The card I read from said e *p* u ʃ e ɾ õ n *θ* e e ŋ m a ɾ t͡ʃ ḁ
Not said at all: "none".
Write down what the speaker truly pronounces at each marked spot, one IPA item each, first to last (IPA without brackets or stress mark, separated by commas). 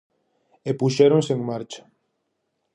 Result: p, s